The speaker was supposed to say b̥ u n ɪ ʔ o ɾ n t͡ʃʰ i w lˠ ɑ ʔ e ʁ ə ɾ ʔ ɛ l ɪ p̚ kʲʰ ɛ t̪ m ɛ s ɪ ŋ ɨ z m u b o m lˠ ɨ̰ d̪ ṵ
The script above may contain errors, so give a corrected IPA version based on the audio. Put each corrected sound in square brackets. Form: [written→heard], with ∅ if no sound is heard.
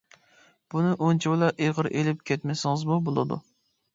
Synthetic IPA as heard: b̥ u n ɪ ʔ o [ɾ→∅] n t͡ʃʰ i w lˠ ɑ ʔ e ʁ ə ɾ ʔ [ɛ→e] l ɪ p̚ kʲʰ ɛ t̪ m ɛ s ɪ ŋ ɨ z m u b o [m→∅] lˠ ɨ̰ d̪ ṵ